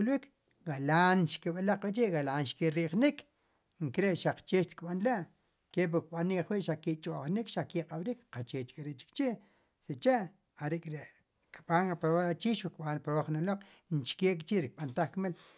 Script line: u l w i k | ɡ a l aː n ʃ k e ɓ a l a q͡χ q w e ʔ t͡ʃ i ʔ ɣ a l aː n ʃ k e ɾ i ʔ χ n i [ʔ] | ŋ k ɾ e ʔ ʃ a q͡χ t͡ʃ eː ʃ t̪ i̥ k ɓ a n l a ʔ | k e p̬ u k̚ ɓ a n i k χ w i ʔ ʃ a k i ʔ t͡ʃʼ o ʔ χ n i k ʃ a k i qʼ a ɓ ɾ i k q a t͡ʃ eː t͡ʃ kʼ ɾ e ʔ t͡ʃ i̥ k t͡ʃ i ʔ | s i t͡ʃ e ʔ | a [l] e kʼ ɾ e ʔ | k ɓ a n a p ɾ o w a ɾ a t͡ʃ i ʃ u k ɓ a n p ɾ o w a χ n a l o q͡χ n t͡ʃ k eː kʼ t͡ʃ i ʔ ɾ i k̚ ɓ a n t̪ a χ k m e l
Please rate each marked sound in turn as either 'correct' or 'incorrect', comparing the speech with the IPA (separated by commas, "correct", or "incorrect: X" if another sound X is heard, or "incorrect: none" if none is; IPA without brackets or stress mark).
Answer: incorrect: k, incorrect: ɾ